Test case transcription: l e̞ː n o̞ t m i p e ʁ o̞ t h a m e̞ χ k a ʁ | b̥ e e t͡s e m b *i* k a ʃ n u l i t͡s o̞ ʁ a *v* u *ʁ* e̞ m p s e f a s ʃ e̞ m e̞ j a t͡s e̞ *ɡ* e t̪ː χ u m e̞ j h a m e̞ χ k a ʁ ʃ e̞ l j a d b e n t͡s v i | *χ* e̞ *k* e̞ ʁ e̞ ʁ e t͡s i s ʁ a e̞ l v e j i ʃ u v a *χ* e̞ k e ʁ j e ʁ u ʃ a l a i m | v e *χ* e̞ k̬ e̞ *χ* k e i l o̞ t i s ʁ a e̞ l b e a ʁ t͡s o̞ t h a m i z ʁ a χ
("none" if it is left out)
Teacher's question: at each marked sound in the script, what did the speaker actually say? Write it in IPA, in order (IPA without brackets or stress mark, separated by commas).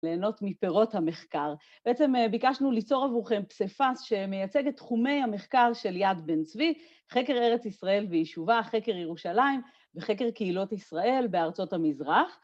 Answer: i, v, χ, ɡ, χ, k, χ, χ, ʁ